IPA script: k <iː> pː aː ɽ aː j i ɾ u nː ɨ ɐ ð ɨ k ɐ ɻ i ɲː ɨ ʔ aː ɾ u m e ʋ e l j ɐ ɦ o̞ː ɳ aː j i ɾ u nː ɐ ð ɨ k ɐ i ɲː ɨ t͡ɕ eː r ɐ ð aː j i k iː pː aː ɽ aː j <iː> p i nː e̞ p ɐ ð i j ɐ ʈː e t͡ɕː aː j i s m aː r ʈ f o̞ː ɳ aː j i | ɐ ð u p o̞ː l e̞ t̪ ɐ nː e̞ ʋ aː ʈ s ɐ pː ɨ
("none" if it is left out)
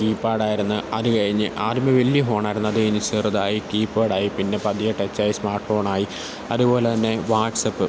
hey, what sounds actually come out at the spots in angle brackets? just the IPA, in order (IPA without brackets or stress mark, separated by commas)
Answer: iː, i